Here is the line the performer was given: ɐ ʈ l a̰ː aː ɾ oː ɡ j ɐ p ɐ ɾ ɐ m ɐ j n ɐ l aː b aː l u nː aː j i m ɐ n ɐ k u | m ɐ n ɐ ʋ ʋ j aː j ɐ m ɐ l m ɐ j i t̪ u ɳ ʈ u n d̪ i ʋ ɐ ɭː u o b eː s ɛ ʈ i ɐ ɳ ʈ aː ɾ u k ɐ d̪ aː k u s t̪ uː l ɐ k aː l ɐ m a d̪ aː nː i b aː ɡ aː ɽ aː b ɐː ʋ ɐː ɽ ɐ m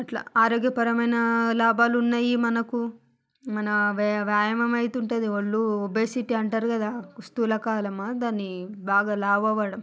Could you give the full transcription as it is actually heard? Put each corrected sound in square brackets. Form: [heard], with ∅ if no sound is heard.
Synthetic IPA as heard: ɐ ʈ l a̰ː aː ɾ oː ɡ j ɐ p ɐ ɾ ɐ m ɐ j n ɐ l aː b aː l u nː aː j i m ɐ n ɐ k u | m ɐ n ɐ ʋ ʋ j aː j ɐ m ɐ [∅] m ɐ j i t̪ u ɳ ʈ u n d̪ i ʋ ɐ ɭː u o b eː s [i] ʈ i ɐ ɳ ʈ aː ɾ u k ɐ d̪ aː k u s t̪ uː l ɐ k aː l ɐ m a d̪ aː nː i b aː ɡ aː [l] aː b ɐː ʋ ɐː ɽ ɐ m